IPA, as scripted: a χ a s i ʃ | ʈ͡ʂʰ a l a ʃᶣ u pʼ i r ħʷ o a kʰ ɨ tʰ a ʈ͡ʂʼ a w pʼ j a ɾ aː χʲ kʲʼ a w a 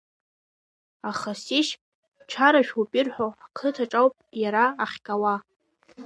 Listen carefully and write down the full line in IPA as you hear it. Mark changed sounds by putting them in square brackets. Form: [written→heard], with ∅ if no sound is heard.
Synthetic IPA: a χ a s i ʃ | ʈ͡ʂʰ a [l→ɾ] a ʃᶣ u pʼ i r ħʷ o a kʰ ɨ tʰ a ʈ͡ʂʼ a w pʼ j a ɾ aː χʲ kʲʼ a w a